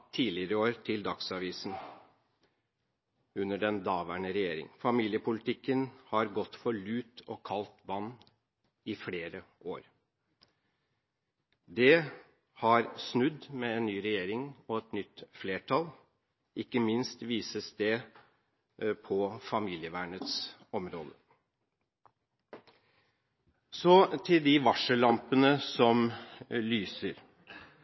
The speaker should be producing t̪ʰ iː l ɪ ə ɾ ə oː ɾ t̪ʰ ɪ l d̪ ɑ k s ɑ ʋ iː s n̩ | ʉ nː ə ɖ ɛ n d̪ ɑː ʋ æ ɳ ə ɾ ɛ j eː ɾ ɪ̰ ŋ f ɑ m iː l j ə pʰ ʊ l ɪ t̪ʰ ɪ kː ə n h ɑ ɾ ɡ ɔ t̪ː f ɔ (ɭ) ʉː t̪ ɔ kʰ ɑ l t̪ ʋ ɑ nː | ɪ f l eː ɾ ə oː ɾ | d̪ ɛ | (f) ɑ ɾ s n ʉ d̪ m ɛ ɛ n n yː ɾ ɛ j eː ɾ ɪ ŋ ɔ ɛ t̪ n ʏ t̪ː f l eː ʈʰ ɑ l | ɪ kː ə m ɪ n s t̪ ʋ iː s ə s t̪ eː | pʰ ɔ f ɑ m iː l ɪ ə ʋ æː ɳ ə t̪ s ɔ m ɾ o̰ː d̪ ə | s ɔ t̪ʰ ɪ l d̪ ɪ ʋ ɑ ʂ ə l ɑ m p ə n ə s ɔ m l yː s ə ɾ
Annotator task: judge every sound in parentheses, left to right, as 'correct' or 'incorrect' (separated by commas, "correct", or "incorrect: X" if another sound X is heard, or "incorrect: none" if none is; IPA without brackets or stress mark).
correct, incorrect: h